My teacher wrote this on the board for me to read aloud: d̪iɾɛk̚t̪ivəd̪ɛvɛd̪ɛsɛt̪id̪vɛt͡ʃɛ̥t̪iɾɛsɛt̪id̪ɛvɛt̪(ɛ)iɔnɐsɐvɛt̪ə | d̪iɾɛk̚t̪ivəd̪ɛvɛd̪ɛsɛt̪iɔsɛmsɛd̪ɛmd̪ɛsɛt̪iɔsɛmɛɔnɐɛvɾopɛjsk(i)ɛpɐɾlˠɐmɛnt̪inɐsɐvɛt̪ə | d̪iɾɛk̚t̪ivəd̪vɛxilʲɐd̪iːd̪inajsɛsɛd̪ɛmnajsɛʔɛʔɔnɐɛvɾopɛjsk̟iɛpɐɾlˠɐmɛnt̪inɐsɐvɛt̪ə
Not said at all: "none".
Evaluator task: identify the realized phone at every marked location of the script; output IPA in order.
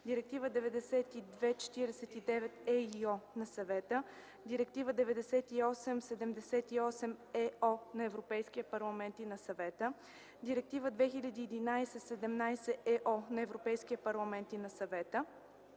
ɛ, i

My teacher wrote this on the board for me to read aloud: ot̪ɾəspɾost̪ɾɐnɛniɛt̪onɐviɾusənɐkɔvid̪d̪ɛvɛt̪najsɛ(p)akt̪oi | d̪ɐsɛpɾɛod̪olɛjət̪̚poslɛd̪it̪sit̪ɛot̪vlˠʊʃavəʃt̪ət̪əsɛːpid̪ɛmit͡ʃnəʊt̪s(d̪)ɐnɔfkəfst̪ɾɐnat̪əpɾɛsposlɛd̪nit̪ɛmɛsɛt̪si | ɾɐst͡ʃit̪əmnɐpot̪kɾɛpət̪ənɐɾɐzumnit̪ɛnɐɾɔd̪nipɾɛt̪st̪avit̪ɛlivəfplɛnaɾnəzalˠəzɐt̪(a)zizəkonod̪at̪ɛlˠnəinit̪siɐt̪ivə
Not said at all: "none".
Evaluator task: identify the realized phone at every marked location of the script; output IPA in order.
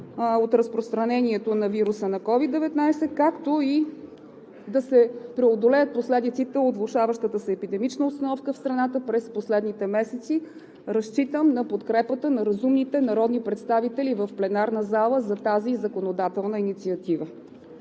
k, t̪, a

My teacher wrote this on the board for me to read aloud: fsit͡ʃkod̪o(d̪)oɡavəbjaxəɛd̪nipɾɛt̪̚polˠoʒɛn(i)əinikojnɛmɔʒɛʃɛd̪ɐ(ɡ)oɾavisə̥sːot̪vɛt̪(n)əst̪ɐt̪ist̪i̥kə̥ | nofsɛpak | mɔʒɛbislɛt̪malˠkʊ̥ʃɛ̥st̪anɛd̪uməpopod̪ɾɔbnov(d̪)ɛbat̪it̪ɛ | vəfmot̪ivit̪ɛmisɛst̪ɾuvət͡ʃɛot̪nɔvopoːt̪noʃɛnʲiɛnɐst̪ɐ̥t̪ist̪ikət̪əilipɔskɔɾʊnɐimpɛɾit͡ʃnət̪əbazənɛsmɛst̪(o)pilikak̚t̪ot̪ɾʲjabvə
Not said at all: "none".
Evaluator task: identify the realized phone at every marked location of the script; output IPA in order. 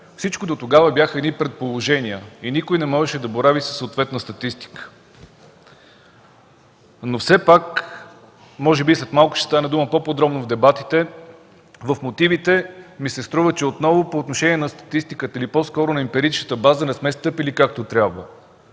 t̪, i, b, n, d̪, ɤ

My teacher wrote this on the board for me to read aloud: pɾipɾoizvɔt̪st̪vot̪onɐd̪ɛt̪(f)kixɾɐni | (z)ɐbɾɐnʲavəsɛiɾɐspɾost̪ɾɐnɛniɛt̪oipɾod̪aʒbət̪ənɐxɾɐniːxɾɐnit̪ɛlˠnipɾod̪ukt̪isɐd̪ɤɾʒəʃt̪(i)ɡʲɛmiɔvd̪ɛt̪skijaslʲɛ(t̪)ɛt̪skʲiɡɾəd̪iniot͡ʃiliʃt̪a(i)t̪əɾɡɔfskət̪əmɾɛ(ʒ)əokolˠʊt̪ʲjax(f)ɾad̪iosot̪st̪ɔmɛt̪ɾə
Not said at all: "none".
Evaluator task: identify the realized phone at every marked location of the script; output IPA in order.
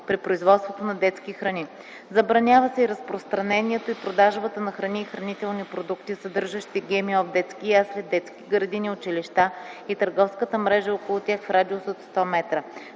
s, z, i, d̪, i, ʒ, f

